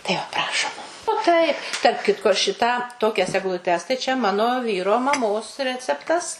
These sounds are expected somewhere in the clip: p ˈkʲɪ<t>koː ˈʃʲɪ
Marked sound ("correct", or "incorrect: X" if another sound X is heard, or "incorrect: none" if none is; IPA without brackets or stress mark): correct